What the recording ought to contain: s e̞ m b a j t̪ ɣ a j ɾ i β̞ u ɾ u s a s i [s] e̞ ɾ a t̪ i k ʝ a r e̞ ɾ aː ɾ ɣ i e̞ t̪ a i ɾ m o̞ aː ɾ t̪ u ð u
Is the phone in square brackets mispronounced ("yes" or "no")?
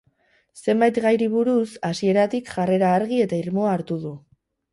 yes